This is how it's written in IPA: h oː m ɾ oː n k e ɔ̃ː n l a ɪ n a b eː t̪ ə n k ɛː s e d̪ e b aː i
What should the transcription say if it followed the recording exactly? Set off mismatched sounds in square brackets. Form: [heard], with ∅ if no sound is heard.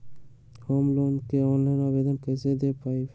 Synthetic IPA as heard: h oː m [l] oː n k e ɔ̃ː n l a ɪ n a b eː [d̪] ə n k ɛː s e d̪ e [p] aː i